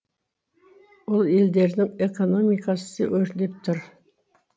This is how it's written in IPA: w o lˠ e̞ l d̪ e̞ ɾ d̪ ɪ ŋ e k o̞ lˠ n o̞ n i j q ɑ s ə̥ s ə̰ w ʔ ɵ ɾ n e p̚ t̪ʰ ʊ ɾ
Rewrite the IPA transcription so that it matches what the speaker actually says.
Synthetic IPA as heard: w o lˠ e̞ l d̪ e̞ ɾ d̪ ɪ ŋ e k o̞ n o̞ m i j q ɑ s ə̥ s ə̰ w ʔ ɵ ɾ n e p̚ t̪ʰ ʊ ɾ

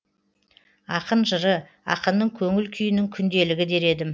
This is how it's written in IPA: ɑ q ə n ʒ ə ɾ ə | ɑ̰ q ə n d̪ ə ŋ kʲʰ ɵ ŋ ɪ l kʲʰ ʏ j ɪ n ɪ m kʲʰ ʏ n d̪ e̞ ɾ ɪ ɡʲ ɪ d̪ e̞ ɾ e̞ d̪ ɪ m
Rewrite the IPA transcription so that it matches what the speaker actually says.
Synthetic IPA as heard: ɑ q ə n ʒ ə ɾ ə | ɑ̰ q ə n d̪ ə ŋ kʲʰ ɵ ŋ ɪ l kʲʰ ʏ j ɪ n ɪ ŋ kʲʰ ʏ n d̪ e̞ l ɪ ɡʲ ɪ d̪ e̞ ɾ e̞ d̪ ɪ m

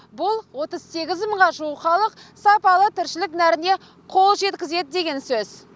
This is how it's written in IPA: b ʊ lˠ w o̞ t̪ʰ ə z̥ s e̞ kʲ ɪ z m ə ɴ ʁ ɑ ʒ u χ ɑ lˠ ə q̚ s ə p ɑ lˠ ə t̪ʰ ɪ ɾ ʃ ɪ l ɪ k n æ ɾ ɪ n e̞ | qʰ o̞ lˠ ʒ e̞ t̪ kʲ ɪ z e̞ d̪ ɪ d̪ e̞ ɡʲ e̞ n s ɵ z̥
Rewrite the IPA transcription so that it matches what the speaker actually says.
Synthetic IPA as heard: b ʊ lˠ w o̞ t̪ ə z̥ s e̞ ɡʲ ɪ z m ə ɴ ʁ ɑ ʒ u χ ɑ lˠ ə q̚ s ɑ p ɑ lˠ ə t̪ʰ ɪ ɾ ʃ ɪ l ɪ k n æ ɾ ɪ n e̞ | qʰ o̞ lˠ ʒ e̞ t̪ kʲ ɪ z e̞ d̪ ɪ d̪ e̞ ɡʲ e̞ n s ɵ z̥

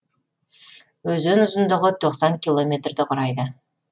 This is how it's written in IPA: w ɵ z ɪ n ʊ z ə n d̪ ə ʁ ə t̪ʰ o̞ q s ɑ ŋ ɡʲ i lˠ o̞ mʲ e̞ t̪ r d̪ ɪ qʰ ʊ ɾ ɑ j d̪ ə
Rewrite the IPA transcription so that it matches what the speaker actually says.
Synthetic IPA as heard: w ɵ z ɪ n ʊ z ə n d̪ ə ʁ ə t̪ʰ o̞ q s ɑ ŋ kʲ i lˠ o̞ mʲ e̞ t̪ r d̪ ɪ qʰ ʊ ɾ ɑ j d̪ ə

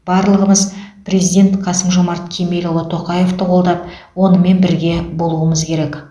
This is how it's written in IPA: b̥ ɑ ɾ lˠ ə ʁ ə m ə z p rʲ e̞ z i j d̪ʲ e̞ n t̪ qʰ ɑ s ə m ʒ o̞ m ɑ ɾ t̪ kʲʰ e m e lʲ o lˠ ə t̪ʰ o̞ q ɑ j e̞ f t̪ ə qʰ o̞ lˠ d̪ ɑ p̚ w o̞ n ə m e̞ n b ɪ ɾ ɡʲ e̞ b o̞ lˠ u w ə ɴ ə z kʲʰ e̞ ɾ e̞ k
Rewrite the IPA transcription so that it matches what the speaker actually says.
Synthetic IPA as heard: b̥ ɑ ɾ lˠ ə ʁ ə m ə z p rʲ e̞ z i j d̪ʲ e̞ n t̪ qʰ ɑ s ə m ʒ o̞ m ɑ ɾ t̪ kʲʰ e m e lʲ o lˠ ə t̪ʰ o̞ q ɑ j e̞ f t̪ ə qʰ o̞ lˠ d̪ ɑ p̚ w o̞ n ə m e̞ n b ɪ ɾ ɡʲ e̞ b o̞ lˠ u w ə m ə z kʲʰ e̞ ɾ e̞ k

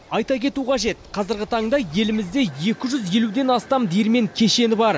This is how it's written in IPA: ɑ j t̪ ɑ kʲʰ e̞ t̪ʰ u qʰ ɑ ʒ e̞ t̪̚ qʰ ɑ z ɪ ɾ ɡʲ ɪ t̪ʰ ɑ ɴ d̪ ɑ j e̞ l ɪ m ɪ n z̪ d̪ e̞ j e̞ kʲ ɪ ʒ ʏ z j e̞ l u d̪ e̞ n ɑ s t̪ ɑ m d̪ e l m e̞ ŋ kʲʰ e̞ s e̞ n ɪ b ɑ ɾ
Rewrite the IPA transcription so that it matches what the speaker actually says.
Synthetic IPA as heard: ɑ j t̪ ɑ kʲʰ e̞ t̪ u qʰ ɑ ʒ e̞ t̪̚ qʰ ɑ z ɪ ɾ ɡʲ ɪ t̪ʰ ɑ ɴ d̪ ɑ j e̞ l ɪ m ɪ z̪ d̪ e̞ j e̞ kʲ ɪ ʒ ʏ z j e̞ l u d̪ e̞ n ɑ s t̪ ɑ m d̪ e ɾ m e̞ ŋ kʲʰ e̞ ʃ e̞ n ɪ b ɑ ɾ

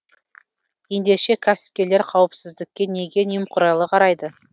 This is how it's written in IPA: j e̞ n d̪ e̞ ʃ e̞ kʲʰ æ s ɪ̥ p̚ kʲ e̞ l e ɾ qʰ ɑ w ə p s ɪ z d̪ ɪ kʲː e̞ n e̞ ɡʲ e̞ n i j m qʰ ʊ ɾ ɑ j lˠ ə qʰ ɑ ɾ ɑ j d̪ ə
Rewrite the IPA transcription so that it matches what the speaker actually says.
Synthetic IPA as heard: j e̞ n d̪ e̞ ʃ e̞ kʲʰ æ s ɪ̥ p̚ kʲ e̞ l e ɾ qʰ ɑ w ə p s ɪ z d̪ ɪ kʲː e̞ n e̞ ɡʲ e̞ n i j m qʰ ʊ ɾ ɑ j lˠ ə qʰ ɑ ɾ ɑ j d̪ ə

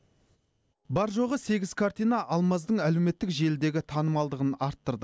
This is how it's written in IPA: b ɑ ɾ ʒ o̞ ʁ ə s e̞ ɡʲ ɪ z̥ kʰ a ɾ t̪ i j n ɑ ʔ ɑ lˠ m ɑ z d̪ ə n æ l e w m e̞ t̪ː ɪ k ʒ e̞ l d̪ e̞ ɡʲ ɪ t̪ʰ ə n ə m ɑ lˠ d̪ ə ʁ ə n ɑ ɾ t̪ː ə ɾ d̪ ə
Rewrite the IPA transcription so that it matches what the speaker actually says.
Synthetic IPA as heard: b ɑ ɾ ʒ o̞ ʁ ə s e̞ ɡʲ ɪ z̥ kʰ a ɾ t̪ i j n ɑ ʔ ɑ lˠ m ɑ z d̪ ə ɴ æ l e w m e̞ t̪ː ɪ k ʒ e̞ l d̪ e̞ ɡʲ ɪ t̪ʰ ɑ n ə m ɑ lˠ d̪ ə ʁ ə n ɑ ɾ t̪ː ə ɾ d̪ ə

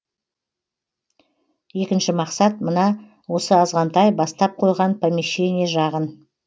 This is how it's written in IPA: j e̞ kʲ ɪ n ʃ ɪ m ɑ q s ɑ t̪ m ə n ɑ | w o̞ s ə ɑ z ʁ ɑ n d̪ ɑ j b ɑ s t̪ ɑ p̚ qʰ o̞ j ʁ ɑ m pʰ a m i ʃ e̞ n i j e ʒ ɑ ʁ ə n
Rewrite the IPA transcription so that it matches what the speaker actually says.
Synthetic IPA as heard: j e̞ kʲ ɪ n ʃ ɪ m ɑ q s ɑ t̪ m ə n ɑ | w o̞ s ə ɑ z ʁ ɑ n t̪ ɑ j b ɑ s t̪ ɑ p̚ qʰ o̞ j ʁ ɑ n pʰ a m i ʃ e̞ n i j e ʒ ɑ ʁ ə n

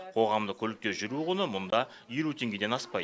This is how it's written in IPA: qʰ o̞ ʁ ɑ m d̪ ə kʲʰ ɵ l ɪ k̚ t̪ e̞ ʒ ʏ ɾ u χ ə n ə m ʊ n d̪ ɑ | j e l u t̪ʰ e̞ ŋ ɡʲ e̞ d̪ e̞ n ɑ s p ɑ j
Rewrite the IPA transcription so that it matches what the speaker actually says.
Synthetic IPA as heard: qʰ o̞ ʁ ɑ m d̪ ə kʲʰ ɵ l ɪ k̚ t̪ e̞ ʒ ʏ ɾ u ʁ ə n ə m ʊ n d̪ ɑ | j e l u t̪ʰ e̞ ŋ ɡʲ e̞ d̪ e̞ n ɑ s p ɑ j

